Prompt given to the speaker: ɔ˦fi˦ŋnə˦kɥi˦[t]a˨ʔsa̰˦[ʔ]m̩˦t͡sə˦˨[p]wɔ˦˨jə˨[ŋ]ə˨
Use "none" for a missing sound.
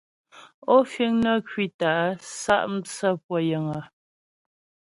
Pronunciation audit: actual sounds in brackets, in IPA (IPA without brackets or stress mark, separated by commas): t, ʔ, p, ŋ